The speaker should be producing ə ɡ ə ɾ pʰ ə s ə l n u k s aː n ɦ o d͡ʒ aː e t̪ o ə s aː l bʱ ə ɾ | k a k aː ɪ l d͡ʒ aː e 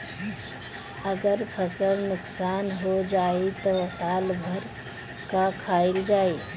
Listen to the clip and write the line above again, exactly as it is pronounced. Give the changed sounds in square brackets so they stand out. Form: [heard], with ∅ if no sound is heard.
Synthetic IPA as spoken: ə ɡ ə ɾ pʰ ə s ə l n [ʊ] k s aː n ɦ o d͡ʒ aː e t̪ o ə s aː l bʱ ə ɾ | k a [kʰ] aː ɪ l d͡ʒ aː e